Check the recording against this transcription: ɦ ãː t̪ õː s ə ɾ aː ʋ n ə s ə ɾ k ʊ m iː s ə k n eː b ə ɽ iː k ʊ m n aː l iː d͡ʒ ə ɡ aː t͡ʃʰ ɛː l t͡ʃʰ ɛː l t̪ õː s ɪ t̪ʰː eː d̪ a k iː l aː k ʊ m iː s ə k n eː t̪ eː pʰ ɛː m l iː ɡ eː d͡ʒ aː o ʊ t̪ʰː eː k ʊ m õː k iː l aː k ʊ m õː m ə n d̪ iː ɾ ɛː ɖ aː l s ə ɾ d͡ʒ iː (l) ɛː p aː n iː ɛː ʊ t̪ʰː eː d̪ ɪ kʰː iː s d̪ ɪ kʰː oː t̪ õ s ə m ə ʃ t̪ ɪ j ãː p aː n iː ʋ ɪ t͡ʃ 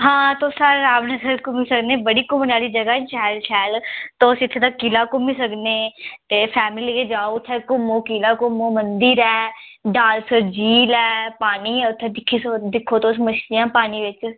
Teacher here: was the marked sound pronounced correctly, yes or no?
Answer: yes